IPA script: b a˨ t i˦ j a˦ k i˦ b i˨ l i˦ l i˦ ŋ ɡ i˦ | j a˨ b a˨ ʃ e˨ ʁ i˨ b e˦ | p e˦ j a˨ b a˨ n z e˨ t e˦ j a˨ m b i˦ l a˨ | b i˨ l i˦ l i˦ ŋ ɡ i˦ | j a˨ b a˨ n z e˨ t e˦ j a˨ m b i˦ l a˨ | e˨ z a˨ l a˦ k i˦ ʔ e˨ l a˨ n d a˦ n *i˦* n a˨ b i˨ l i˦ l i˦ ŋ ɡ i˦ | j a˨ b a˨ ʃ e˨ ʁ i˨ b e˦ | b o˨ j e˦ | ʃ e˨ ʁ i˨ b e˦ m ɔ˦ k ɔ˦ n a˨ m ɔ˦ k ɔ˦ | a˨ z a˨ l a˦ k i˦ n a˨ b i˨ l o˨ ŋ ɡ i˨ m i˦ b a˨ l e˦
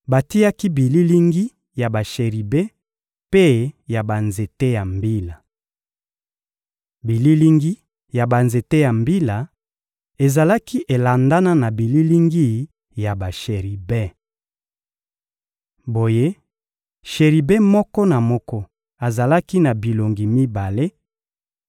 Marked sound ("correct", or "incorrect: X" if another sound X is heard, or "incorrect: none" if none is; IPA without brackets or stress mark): incorrect: a˦